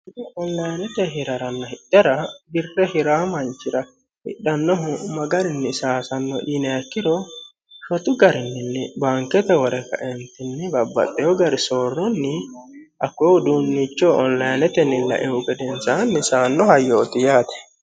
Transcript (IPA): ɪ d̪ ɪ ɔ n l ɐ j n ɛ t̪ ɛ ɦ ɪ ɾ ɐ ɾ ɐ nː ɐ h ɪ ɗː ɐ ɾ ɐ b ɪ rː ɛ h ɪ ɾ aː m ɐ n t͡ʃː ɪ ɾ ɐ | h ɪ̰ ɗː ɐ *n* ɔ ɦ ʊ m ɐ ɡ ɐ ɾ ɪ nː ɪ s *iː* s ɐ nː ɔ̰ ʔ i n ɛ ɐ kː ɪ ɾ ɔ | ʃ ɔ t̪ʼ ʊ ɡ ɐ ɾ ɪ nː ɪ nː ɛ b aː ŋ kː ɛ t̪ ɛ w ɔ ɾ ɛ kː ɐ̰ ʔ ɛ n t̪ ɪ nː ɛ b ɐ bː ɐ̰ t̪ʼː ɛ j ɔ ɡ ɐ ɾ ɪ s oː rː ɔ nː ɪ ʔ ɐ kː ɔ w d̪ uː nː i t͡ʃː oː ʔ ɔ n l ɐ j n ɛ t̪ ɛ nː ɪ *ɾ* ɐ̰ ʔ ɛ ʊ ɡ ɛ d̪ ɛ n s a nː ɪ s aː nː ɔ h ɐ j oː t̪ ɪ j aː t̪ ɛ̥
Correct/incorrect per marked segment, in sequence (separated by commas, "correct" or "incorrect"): incorrect, incorrect, incorrect